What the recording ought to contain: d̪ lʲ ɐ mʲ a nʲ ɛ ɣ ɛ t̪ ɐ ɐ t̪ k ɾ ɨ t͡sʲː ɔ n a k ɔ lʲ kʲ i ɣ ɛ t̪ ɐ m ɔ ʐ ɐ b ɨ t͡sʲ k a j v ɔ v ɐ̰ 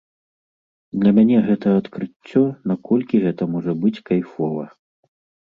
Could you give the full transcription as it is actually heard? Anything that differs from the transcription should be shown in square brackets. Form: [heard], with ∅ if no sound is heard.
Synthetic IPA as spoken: d̪ lʲ ɐ mʲ a nʲ ɛ ɣ ɛ t̪ ɐ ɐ t̪ k ɾ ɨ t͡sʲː ɔ n a k ɔ lʲ kʲ i ɣ ɛ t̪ ɐ m ɔ ʐ ɐ b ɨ t͡sʲ k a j [f] ɔ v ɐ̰